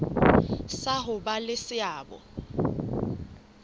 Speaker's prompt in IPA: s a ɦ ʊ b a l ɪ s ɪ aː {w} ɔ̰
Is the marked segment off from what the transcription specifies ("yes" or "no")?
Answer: yes